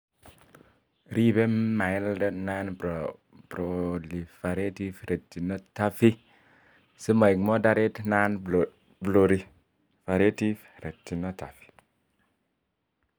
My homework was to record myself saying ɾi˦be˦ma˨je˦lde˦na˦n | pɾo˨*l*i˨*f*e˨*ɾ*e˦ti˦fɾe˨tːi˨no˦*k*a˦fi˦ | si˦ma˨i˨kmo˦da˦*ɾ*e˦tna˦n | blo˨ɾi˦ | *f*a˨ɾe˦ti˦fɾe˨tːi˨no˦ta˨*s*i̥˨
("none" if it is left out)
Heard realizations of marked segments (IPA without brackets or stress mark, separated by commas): l, f, ɾ, t, ɾ, f, f